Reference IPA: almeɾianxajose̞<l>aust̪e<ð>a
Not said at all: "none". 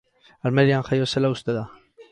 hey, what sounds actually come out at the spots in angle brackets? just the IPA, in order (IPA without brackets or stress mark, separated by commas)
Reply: l, ð